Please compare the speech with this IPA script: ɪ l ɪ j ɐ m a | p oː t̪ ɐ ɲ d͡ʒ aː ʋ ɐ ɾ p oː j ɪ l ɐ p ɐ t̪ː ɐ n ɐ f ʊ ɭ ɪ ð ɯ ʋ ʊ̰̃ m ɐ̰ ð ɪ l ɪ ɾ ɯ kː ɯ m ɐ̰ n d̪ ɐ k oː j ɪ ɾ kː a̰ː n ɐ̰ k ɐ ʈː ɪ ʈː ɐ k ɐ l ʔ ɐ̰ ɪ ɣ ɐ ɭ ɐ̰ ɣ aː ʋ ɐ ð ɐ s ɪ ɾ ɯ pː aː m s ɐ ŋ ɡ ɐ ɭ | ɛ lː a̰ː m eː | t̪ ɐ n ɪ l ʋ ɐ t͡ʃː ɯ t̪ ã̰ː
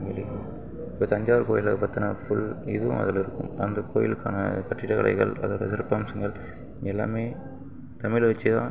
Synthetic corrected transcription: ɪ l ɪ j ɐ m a | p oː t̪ ɐ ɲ d͡ʒ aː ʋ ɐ ɾ k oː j ɪ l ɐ p ɐ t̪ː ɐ n ɐ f ʊ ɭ ɪ ð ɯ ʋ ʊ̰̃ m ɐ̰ ð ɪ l ɪ ɾ ɯ kː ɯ m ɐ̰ n d̪ ɐ k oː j ɪ l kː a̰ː n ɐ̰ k ɐ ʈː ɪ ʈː ɐ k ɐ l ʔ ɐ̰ ɪ ɣ ɐ ɭ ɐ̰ ð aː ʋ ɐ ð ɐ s ɪ ɾ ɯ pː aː m s ɐ ŋ ɡ ɐ ɭ | ɛ lː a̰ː m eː | t̪ ɐ m ɪ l ʋ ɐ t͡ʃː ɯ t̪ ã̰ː